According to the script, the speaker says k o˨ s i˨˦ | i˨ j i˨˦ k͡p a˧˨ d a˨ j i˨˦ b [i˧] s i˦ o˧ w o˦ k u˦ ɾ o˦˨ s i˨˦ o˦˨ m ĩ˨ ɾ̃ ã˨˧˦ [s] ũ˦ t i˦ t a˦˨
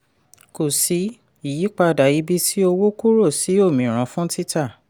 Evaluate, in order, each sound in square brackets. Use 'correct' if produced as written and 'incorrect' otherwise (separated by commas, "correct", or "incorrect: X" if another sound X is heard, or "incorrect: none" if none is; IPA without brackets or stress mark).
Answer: correct, incorrect: f